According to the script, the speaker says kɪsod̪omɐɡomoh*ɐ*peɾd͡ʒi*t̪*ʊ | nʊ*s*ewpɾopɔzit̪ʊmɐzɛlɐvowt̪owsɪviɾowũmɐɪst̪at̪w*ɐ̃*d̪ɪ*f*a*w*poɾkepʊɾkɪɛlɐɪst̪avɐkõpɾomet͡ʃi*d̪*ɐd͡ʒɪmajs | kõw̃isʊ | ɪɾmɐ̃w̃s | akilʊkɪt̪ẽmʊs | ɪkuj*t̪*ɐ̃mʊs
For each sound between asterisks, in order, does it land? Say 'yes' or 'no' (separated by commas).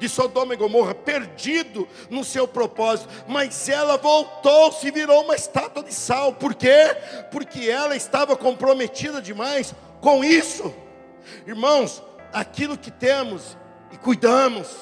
yes, no, yes, no, no, yes, yes, no